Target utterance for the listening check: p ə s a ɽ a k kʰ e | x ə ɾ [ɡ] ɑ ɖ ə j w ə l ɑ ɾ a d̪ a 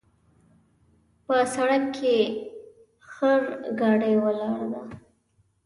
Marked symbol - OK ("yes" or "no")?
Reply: yes